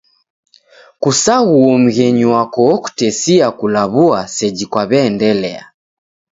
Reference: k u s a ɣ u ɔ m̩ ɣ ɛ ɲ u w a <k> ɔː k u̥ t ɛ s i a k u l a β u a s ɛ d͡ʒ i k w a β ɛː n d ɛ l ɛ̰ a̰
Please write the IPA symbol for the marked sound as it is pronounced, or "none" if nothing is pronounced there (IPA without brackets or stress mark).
k